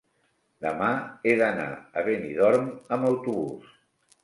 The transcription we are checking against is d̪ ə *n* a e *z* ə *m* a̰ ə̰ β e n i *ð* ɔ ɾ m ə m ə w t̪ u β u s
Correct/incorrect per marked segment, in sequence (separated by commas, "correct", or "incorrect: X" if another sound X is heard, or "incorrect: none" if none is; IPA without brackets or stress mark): incorrect: m, incorrect: ð, incorrect: n, correct